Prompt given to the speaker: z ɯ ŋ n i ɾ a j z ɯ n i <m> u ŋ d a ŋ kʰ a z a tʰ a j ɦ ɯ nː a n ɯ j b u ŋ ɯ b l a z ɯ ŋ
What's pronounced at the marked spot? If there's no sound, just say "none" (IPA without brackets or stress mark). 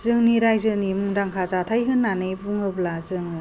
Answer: m